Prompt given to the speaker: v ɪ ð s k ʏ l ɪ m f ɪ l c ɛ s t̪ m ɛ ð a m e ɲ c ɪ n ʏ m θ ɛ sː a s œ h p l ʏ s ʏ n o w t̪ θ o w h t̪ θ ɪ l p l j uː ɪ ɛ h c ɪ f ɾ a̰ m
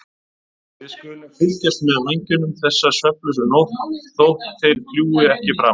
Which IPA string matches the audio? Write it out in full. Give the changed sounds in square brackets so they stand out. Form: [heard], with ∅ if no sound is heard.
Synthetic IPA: v ɪ ð s k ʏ l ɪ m f ɪ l c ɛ s t̪ m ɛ ð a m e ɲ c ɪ n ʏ m θ ɛ sː a s œ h p l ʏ s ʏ n o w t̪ θ o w h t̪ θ ɪ l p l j uː ɪ ɛ h c ɪ f ɾ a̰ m